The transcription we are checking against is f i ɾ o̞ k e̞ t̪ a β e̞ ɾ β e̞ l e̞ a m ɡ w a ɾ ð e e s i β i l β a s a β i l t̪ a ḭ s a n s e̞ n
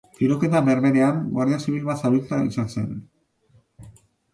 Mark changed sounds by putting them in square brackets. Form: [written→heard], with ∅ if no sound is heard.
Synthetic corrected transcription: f i ɾ o̞ k e̞ t̪ a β e̞ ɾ β e̞ [l→ɾ] e̞ a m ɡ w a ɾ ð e [e→a] s i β i l β a s a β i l t̪ a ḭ s a n s e̞ n